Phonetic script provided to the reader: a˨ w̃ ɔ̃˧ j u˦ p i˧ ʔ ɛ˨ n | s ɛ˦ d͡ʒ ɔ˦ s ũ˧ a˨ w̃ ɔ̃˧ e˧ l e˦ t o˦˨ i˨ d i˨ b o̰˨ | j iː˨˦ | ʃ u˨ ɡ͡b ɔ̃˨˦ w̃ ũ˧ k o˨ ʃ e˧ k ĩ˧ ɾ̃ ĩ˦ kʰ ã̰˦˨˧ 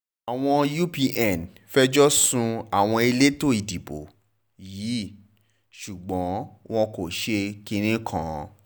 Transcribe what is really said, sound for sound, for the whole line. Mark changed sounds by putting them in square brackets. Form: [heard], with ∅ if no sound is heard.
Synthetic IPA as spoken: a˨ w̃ ɔ̃˧ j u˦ p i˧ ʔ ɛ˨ n | [f] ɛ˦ d͡ʒ ɔ˦ s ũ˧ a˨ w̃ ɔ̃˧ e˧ l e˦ t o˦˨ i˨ d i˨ b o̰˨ | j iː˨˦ | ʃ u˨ ɡ͡b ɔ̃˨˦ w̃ [ɔ̃˧] k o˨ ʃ e˧ k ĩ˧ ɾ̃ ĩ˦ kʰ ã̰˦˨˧